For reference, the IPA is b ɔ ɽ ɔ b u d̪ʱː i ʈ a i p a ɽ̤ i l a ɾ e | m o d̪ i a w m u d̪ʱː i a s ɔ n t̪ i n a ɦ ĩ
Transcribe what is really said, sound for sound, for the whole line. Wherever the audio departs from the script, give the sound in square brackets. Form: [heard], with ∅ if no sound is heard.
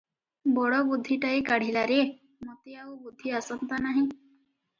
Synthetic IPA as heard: b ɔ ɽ ɔ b u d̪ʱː i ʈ a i [k] a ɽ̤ i l a ɾ e | m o [t̪] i a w [b] u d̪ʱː i a s ɔ n t̪ [a] n a ɦ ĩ